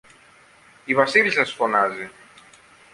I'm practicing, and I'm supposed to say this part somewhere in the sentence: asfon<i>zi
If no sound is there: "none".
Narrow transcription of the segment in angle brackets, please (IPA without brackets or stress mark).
a